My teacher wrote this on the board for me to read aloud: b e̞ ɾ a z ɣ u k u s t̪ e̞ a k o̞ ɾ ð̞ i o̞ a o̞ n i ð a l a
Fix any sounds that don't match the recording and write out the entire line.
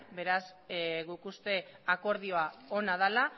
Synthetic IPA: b e̞ ɾ a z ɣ u k u s t̪ e̞ a k o̞ ɾ ð̞ i o̞ a o̞ n a ð a l a